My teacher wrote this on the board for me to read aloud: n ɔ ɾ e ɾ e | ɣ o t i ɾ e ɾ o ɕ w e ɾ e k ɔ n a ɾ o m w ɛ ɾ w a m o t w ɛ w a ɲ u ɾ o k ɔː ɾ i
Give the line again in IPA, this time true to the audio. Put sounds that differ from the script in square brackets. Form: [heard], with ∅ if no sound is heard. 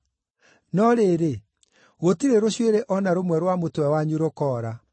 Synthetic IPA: n ɔ ɾ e ɾ e | ɣ o t i ɾ e ɾ o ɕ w e ɾ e [ʔ] ɔ n a ɾ o m w ɛ ɾ w a m o t w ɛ w a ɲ u ɾ o k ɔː ɾ [a]

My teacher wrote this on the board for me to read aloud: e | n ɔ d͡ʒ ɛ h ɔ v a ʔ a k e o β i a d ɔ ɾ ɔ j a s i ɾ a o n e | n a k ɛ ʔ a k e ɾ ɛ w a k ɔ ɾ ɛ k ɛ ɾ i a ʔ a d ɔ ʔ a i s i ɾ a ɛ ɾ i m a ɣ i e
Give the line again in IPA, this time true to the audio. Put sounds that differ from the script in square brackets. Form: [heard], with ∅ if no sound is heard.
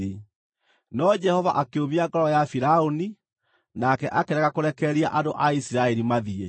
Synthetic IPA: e | n ɔ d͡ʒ ɛ h ɔ v a ʔ a k e o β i a [ɡ] ɔ ɾ ɔ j a [f] i ɾ a o n [i] | n a k ɛ ʔ a k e ɾ ɛ [ɣ] a k [o] ɾ ɛ k ɛ ɾ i a ʔ a d [o] ʔ a i s i ɾ a ɛ ɾ i m a [ð] i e

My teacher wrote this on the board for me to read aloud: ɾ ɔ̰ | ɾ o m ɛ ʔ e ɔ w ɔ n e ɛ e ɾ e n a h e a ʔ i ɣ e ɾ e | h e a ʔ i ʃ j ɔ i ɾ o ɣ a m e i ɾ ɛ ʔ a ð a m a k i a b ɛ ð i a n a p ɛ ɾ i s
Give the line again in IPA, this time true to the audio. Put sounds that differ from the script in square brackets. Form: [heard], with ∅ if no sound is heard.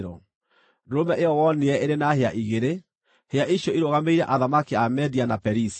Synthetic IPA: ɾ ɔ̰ | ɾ o m ɛ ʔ e ɔ w ɔ n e ɛ e ɾ e n a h e a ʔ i ɣ e ɾ e | h e a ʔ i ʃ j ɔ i ɾ o ɣ a m e i ɾ ɛ ʔ a ð a m a k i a [m] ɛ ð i a n a p ɛ ɾ i s

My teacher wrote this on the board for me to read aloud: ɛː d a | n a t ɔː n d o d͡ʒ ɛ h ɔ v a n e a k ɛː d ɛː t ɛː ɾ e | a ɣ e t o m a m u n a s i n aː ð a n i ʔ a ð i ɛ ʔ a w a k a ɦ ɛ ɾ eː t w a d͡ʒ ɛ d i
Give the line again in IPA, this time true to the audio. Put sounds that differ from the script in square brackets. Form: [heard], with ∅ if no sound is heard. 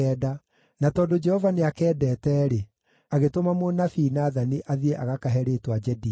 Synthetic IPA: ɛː d a | n a t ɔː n d o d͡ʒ ɛ h ɔ v a n e a k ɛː d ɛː t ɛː ɾ e | a ɣ e t o m a m [o] n a [f] i n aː ð a n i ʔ a ð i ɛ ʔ a [ɣ] a k a ɦ ɛ ɾ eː t w a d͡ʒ ɛ d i

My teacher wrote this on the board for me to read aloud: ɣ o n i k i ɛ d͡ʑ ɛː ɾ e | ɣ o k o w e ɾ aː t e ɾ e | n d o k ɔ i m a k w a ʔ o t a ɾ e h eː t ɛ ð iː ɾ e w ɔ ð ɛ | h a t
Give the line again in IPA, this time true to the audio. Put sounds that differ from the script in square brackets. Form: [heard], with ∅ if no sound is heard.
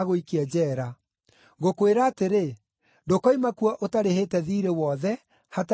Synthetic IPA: ɣ o [∅] i k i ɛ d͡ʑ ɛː ɾ [a] | ɣ o k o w e ɾ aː t e ɾ e | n d o k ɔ i m a k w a ʔ o t a ɾ e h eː t ɛ ð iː ɾ e w ɔ ð ɛ | h a t

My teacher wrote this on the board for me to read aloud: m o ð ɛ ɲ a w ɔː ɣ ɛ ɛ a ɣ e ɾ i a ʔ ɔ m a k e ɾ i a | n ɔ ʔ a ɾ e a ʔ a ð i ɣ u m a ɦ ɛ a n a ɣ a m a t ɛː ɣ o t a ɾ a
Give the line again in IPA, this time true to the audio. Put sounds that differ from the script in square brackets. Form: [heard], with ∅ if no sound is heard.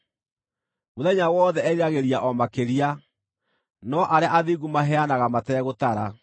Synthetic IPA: m o ð ɛ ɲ a w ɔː [ð] ɛ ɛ a ɣ e ɾ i a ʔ ɔ m a k e ɾ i a | n ɔ ʔ a ɾ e a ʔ a ð i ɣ u m a ɦ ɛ a n a ɣ a m a t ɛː ɣ o t a ɾ a

